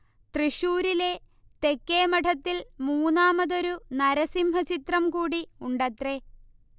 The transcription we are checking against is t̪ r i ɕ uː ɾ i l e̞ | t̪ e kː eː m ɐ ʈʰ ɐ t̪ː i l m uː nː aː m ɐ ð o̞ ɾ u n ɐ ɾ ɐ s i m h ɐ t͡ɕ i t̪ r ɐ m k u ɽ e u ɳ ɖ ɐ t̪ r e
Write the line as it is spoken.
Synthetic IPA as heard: t̪ r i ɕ uː ɾ i l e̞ | t̪ e kː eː m ɐ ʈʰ ɐ t̪ː i l m uː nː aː m ɐ ð o̞ ɾ u n ɐ ɾ ɐ s i m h ɐ t͡ɕ i t̪ r ɐ m k uː ɽ i u ɳ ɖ ɐ t̪ r e